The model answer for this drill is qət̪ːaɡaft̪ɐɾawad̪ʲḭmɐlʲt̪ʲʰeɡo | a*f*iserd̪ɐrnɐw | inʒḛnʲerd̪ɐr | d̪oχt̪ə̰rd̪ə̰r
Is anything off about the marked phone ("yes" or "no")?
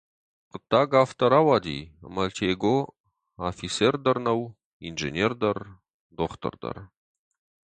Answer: no